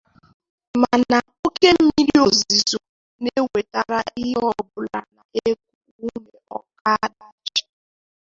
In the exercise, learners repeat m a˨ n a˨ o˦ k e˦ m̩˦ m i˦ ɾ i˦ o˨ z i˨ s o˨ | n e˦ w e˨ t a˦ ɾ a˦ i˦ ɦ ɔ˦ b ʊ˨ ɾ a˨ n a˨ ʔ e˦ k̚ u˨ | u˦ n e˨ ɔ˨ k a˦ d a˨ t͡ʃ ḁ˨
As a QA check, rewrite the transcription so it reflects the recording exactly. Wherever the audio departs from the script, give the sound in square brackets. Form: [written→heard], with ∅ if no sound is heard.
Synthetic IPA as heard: m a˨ n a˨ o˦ k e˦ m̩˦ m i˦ ɾ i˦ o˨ z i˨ [s→z] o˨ | n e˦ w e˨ t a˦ ɾ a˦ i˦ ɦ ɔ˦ b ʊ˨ [ɾ→l] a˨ n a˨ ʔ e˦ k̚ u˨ | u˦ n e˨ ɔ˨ k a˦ d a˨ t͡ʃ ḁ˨